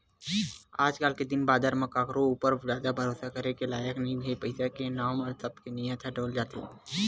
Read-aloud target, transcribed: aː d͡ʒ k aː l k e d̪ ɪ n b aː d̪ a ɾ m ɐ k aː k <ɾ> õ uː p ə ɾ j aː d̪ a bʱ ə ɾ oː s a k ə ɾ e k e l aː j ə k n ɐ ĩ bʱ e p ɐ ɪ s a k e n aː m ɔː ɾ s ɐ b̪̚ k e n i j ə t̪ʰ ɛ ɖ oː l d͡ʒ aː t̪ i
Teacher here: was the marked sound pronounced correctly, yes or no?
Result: yes